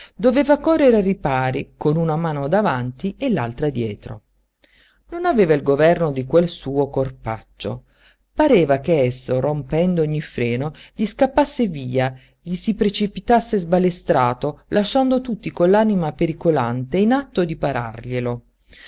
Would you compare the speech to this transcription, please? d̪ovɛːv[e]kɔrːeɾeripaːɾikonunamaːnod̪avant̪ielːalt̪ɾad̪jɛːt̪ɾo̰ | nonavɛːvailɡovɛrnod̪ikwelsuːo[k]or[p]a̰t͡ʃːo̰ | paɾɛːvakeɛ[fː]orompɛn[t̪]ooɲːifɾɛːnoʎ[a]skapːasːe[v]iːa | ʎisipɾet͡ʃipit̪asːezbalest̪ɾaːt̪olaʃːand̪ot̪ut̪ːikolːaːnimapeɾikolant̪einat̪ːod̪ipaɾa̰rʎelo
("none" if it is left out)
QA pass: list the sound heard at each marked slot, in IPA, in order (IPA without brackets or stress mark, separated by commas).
a, k, p, sː, d̪, i, v